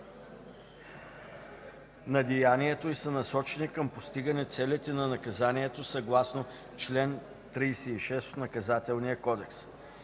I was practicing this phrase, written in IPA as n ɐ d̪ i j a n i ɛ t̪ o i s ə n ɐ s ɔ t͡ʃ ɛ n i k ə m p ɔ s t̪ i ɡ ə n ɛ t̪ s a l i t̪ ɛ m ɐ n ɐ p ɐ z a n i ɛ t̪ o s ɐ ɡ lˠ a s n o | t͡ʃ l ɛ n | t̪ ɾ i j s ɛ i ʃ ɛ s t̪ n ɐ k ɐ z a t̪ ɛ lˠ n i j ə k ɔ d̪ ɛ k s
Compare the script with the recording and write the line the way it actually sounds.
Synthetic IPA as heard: n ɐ d̪ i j a n i ɛ t̪ o i s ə n ɐ s ɔ t͡ʃ ɛ n i k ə m p o s t̪ i ɡ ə n ɛ t̪ s ɛ l i t̪ ɛ n ɐ n ɐ k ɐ z a n i ɛ t̪ o s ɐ ɡ lˠ a s n o | t͡ʃ l ɛ n | t̪ ɾ i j s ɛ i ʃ ɛ s t̪ n ɐ k ɐ z a t̪ ɛ lˠ n i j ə k ɔ d̪ ɛ k s